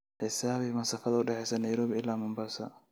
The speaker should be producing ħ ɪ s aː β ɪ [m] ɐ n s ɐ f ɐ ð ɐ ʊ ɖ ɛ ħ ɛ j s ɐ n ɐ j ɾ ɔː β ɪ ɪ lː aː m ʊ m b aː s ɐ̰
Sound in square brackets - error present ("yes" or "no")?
no